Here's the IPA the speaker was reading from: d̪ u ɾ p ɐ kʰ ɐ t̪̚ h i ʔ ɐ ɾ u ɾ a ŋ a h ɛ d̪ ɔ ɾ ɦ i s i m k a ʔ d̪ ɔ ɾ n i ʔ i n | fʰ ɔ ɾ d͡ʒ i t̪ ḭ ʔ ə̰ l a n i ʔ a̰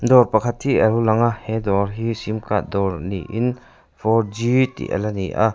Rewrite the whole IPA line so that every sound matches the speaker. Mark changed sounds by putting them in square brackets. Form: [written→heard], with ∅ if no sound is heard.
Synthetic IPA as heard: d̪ [u→ɔ] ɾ p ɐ kʰ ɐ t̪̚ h i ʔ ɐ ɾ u [ɾ→l] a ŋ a h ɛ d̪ ɔ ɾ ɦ i s i m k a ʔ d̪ ɔ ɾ n i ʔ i n | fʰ ɔ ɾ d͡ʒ i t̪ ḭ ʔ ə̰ l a n i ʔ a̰